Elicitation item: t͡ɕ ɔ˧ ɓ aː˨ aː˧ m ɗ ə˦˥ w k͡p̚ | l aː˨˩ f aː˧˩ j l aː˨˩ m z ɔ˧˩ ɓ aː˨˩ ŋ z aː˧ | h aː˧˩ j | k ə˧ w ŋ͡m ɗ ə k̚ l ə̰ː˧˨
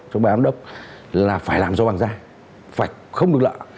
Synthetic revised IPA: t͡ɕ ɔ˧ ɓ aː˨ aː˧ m ɗ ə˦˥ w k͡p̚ | l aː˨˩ f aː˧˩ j l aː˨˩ m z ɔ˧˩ ɓ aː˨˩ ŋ z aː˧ | f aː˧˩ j | x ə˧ w ŋ͡m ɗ ə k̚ l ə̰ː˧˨